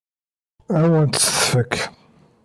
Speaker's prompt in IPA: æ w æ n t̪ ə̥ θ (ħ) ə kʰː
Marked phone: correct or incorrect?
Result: incorrect